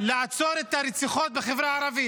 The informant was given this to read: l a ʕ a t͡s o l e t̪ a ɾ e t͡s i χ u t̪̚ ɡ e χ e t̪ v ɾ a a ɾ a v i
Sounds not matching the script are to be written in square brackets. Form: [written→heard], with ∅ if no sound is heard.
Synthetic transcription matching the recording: l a ʕ a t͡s o [l→ɾ] e t̪ a ɾ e t͡s i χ [u→o] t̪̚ [ɡ→b] e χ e [t̪→∅] v ɾ a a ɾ a v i